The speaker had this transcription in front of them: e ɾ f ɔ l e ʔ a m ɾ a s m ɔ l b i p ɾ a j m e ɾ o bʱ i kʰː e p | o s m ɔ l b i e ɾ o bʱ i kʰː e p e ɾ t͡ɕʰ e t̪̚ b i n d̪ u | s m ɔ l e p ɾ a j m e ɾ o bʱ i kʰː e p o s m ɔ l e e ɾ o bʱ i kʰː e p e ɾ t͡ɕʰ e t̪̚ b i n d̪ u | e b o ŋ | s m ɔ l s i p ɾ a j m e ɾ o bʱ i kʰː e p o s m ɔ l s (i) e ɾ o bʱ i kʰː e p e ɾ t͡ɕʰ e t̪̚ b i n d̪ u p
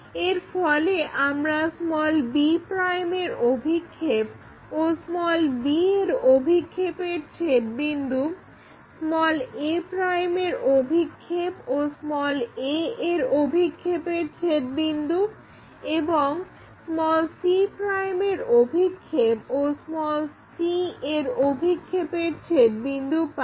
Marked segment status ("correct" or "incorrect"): correct